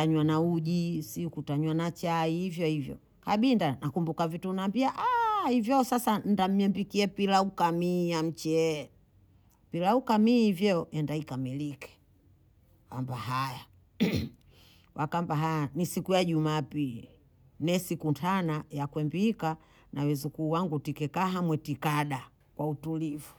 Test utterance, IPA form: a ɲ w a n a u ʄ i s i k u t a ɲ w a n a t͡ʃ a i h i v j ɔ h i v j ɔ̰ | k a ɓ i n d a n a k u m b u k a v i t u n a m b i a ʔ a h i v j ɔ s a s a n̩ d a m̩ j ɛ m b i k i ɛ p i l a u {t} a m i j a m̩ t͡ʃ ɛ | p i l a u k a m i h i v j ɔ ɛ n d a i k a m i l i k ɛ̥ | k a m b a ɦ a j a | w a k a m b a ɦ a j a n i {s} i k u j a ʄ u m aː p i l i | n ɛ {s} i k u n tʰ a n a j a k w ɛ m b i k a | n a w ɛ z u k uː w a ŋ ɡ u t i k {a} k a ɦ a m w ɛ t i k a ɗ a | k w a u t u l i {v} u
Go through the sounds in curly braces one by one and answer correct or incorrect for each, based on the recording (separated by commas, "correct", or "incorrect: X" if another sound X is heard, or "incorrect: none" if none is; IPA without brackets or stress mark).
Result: incorrect: k, correct, correct, incorrect: ɛ, correct